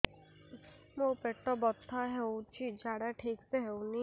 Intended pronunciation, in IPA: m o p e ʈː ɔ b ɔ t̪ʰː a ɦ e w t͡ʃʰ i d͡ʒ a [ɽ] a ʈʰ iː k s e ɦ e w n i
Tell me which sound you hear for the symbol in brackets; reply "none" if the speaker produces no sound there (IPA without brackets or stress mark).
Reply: ɽ